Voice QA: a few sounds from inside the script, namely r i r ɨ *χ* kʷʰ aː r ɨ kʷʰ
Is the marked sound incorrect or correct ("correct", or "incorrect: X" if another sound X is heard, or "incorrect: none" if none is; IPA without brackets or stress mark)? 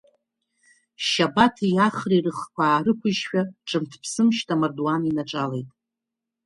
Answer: correct